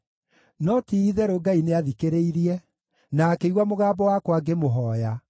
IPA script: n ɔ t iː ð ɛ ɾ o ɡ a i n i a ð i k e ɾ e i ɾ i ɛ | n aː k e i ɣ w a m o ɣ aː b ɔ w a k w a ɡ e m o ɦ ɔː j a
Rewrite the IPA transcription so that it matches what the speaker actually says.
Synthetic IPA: n ɔ t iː ð ɛ ɾ o ɡ a i n e a ð i k e ɾ e i ɾ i ɛ | n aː k e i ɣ w a m o ɣ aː b ɔ w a k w a ɡ e m o ɦ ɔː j a